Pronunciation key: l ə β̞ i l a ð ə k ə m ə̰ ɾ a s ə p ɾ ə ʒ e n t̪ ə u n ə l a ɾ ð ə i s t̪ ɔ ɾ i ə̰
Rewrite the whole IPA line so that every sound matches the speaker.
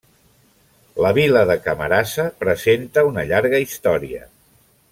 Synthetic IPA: l ə β̞ i l ə ð ə k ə m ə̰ ɾ a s ə p ɾ ə z e n t̪ ə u n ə ʎ a ɾ ɣ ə i s t̪ ɔ ɾ i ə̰